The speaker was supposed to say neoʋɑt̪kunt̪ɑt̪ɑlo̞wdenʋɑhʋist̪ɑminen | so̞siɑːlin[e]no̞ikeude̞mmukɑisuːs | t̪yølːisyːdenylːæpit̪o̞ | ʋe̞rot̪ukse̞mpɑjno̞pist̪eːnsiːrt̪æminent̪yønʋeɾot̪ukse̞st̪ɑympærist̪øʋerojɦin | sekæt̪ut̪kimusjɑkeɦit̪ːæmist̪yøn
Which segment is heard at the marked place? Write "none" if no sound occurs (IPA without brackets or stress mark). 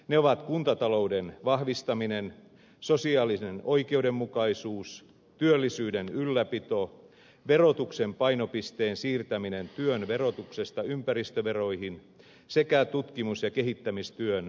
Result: e